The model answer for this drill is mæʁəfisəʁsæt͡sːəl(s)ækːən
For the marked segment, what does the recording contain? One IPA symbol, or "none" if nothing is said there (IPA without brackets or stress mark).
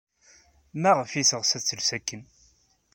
s